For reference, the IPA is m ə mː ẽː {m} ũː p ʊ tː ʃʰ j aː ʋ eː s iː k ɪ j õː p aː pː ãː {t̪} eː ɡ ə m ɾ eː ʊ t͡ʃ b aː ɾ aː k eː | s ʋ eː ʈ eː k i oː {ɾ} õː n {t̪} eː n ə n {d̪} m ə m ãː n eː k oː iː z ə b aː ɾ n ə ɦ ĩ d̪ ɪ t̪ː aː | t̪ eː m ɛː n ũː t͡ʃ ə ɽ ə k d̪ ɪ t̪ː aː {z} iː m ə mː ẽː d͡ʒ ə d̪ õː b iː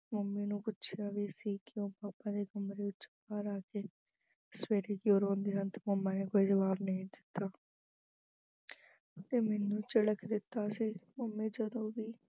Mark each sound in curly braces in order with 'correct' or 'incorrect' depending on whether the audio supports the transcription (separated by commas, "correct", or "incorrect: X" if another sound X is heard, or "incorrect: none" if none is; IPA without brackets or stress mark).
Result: incorrect: n, incorrect: d̪, correct, incorrect: d̪, incorrect: t̪, incorrect: s